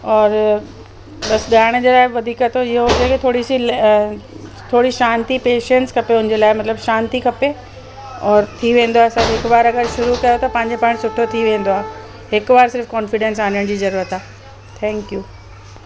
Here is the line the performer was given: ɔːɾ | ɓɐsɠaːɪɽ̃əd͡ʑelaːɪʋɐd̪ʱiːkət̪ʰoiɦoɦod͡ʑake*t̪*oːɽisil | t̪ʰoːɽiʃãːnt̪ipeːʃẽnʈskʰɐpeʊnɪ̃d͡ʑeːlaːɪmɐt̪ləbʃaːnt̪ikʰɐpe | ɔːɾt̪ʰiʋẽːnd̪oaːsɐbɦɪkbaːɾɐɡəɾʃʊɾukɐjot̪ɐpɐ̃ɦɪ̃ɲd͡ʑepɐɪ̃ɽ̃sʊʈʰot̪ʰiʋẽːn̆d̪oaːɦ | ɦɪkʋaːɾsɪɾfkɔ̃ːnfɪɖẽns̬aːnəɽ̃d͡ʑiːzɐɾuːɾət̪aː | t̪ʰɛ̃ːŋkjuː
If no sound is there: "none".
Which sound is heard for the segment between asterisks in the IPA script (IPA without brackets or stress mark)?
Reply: t̪ʰ